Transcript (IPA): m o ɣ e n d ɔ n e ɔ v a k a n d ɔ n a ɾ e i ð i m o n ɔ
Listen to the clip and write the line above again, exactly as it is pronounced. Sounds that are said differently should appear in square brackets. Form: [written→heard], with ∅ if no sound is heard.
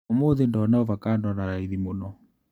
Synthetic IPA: m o [ɣ→ð] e n d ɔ n [e→a] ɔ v a k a n d ɔ n a ɾ [e→a] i ð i m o n ɔ